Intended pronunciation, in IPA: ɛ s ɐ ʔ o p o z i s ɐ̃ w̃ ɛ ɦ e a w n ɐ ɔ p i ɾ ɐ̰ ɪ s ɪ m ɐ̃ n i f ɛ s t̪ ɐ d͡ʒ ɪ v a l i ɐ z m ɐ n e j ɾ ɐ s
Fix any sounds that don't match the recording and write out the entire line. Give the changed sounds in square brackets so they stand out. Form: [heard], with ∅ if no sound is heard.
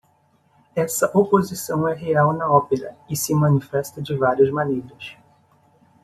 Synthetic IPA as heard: ɛ s ɐ ʔ o p o z i s ɐ̃ w̃ ɛ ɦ e a w n ɐ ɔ p [e] ɾ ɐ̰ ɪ s ɪ m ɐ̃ n i f ɛ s t̪ ɐ d͡ʒ ɪ v a [ɾ] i ɐ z m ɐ n e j ɾ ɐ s

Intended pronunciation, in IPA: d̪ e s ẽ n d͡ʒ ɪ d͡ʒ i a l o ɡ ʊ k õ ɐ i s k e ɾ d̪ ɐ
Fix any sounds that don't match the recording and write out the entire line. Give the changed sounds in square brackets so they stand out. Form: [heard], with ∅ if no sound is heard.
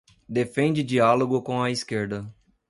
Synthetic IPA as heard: d̪ e [f] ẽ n d͡ʒ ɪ d͡ʒ i a l o ɡ ʊ k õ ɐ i s k e ɾ d̪ ɐ

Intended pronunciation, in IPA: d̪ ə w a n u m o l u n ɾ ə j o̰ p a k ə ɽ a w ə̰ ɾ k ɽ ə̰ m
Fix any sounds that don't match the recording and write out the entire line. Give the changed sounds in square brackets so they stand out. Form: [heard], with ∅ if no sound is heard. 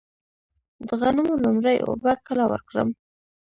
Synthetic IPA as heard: d̪ ə [ɣ] a n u m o l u [m] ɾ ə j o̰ [b] a k ə [l] a w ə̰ ɾ k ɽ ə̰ m

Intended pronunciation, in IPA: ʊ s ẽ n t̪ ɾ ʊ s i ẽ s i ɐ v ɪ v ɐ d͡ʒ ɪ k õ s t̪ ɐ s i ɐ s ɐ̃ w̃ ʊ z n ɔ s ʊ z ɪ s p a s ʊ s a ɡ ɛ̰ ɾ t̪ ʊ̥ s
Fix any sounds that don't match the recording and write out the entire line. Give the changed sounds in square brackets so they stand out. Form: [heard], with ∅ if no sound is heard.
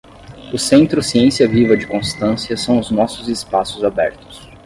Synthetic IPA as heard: ʊ s ẽ n t̪ ɾ ʊ s i ẽ s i ɐ v [i] v ɐ d͡ʒ ɪ k õ s t̪ [ɐ̃] s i ɐ s ɐ̃ w̃ ʊ z n ɔ s ʊ z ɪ s p a s ʊ [z] a [b] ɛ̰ ɾ t̪ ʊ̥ s

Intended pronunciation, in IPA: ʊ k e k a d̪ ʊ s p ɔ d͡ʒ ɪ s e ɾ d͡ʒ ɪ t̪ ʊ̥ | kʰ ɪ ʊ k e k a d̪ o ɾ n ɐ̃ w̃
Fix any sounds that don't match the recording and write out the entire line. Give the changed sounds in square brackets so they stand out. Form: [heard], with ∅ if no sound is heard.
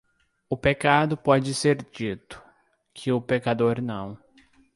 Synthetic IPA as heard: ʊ [p] e k a d̪ ʊ [∅] p ɔ d͡ʒ ɪ s e ɾ d͡ʒ [i] t̪ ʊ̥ | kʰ ɪ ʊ [p] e k a d̪ o ɾ n ɐ̃ w̃

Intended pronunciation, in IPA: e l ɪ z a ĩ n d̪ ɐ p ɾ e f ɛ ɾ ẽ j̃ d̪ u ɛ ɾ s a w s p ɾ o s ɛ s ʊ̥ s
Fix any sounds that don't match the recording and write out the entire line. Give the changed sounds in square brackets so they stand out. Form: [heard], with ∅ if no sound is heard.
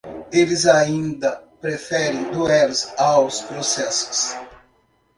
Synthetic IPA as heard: e l ɪ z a ĩ n d̪ ɐ p ɾ e f ɛ ɾ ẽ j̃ d̪ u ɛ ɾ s a w s p ɾ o s ɛ s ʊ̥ s

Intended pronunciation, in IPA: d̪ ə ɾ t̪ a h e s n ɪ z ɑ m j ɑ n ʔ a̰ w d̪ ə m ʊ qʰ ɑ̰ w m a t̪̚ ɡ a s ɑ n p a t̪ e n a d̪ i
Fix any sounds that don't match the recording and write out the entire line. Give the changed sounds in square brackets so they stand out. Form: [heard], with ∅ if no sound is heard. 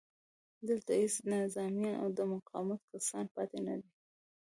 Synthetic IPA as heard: d̪ ə [l] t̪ a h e s n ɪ z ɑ m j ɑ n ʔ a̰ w d̪ ə m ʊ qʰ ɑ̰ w m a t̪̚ [k] a s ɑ n p [ɑ] t̪ e n a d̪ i

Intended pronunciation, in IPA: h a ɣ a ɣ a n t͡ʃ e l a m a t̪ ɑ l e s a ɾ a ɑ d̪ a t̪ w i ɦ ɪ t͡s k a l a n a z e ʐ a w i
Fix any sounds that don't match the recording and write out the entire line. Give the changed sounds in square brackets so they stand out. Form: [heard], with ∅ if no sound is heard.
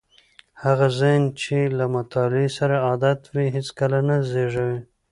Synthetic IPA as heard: h a ɣ a [z] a n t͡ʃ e l a m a t̪ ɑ l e s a ɾ a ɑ d̪ a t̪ w i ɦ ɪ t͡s k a l a n a z e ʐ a w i

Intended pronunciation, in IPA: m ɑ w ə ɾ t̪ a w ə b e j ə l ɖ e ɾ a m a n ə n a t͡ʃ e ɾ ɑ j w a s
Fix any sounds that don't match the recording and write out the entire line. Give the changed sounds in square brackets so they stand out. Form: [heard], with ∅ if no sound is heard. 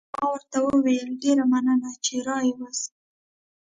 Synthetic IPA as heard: m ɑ w ə ɾ t̪ a w ə [w] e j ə l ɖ e ɾ a m a n ə n a t͡ʃ e ɾ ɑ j w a s

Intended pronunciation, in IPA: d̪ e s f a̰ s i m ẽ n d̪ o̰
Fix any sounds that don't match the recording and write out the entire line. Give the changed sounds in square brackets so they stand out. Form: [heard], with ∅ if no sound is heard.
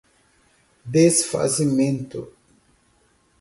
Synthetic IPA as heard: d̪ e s f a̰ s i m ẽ n [t̪] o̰

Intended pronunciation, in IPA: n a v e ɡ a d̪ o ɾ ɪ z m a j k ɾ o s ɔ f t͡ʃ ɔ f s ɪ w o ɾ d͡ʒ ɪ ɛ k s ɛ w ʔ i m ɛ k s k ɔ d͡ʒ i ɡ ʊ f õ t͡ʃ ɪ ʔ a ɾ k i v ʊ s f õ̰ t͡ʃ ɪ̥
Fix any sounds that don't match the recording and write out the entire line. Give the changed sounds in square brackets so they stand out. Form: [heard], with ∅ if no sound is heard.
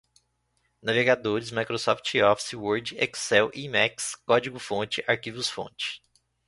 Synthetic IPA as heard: n a v e ɡ a d̪ o ɾ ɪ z m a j k ɾ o s ɔ f t͡ʃ ɔ f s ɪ w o ɾ d͡ʒ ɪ ɛ k s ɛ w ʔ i m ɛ k s k ɔ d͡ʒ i ɡ ʊ f õ t͡ʃ ɪ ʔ a ɾ k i v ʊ s f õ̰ t͡ʃ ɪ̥

